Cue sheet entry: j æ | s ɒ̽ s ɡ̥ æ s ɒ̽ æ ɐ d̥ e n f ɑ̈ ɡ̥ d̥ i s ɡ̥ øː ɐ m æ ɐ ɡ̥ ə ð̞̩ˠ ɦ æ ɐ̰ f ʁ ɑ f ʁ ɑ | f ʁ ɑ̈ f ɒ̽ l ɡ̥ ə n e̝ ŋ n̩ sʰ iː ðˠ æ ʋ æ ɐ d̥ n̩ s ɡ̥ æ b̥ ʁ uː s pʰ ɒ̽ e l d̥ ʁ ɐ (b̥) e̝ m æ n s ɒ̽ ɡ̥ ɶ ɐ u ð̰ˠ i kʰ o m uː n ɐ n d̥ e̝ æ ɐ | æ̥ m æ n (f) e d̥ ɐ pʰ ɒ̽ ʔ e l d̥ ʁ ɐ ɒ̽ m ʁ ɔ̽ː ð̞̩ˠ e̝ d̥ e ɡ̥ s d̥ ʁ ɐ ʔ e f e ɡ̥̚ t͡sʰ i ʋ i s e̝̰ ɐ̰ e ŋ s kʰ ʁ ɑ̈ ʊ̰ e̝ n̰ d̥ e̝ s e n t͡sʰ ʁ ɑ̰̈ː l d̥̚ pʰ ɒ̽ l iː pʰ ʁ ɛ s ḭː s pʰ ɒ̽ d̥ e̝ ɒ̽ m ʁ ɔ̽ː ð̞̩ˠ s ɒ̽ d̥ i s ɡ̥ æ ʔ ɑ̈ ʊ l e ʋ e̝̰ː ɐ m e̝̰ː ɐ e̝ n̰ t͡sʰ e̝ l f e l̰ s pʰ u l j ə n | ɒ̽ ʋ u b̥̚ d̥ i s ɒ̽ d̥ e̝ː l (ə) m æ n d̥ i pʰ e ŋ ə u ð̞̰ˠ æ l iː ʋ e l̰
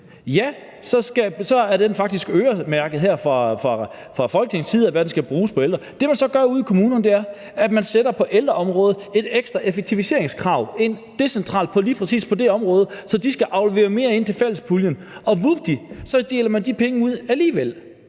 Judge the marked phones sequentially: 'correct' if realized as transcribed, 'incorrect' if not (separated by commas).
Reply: incorrect, incorrect, incorrect